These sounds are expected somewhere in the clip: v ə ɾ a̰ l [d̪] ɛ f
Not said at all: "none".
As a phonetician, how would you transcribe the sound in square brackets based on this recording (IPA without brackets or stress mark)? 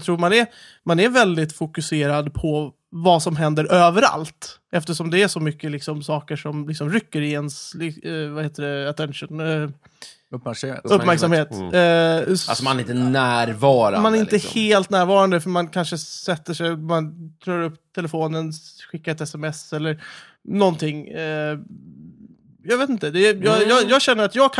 t̪